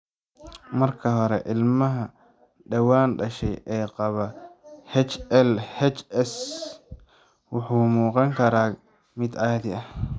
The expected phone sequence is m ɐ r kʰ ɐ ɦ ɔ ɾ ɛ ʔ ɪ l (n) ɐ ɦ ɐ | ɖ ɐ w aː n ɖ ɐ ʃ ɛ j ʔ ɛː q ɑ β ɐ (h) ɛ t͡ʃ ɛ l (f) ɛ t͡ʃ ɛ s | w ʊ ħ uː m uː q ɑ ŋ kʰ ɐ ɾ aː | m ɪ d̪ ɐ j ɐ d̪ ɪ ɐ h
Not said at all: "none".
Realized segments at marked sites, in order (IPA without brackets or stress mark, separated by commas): m, h, h